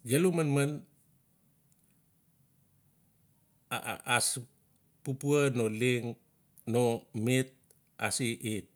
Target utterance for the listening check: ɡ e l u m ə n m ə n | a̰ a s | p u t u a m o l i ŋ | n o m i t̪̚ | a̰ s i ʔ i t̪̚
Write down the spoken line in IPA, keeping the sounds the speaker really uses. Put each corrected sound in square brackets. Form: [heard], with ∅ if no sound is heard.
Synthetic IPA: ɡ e l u m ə n m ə n | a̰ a s | p u [p] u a [n] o l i ŋ | n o m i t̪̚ | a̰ s i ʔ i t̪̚